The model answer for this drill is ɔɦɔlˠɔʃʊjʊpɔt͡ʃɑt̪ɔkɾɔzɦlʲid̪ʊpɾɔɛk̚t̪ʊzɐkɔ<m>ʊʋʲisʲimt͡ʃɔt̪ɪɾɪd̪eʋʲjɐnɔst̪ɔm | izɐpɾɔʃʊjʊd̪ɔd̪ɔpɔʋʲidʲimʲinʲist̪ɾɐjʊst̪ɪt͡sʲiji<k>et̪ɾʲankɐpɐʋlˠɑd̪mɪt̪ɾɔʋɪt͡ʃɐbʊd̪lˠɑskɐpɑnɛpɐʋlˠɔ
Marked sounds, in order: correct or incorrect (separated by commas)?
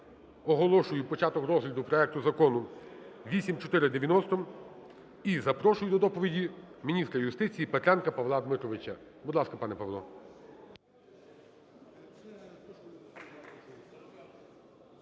incorrect, incorrect